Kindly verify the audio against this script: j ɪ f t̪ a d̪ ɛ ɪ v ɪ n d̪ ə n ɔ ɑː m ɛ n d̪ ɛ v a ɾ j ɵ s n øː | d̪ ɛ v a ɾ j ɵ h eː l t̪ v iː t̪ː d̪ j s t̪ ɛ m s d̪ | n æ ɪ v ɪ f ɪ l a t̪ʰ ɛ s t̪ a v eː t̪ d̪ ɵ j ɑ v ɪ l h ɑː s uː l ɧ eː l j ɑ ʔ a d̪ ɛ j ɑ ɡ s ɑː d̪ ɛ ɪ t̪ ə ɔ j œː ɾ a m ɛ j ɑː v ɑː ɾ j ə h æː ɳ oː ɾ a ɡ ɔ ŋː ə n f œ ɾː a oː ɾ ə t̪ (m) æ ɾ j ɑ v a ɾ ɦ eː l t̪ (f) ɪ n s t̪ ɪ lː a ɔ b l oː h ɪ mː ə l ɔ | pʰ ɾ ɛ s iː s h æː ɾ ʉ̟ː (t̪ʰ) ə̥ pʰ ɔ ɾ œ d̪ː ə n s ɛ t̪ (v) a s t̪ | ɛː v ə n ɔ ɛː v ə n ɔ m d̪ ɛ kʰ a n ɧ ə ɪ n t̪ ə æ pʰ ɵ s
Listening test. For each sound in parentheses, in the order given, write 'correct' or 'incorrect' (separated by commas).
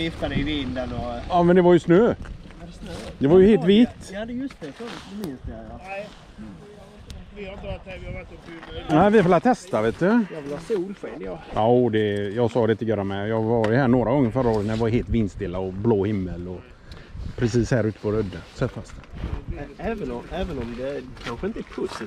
incorrect, incorrect, incorrect, incorrect